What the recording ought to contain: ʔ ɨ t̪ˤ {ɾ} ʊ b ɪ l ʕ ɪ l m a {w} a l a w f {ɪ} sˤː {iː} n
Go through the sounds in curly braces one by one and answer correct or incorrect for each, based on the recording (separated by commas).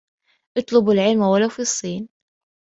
incorrect, correct, incorrect, correct